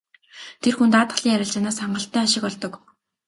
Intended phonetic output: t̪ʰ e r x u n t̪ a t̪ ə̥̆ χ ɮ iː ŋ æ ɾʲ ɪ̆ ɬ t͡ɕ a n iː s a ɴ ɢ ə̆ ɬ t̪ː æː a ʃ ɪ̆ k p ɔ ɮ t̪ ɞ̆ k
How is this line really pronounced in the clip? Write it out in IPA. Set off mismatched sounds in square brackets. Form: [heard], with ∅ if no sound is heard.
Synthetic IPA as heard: t̪ʰ e r x u n t̪ a t̪ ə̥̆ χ ɮ iː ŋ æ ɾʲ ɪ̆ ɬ t͡ɕ a n [aː] s a ɴ ɢ ə̆ ɬ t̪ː æː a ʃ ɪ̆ k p ɔ ɮ t̪ ɞ̆ k